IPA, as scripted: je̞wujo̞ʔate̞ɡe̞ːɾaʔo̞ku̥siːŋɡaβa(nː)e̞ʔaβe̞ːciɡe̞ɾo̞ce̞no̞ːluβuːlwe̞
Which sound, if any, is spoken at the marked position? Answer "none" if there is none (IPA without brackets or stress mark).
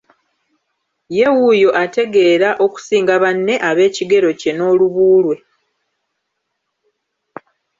nː